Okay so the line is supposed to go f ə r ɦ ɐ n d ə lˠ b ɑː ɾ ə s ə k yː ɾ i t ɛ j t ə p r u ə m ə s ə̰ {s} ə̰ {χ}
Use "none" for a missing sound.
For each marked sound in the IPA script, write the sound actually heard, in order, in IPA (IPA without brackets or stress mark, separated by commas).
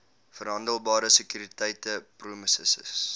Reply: s, s